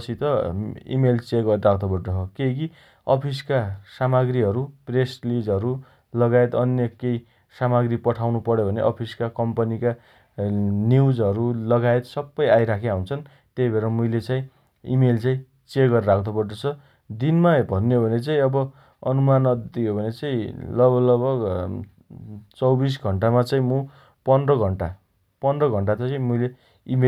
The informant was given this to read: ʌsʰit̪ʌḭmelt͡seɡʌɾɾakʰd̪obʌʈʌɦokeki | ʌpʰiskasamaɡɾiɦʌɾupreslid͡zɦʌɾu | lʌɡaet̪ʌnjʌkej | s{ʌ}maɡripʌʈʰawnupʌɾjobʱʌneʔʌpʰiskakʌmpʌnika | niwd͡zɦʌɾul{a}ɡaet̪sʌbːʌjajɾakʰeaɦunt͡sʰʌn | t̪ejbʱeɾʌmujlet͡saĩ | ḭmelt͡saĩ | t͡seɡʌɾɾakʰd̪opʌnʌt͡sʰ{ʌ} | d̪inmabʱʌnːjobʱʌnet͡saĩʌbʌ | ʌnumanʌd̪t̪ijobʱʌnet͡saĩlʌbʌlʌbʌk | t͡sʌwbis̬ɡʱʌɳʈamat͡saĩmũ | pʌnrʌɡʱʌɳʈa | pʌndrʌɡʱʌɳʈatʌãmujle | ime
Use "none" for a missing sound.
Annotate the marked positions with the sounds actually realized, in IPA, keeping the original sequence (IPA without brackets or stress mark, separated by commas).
a, ʌ, ʌ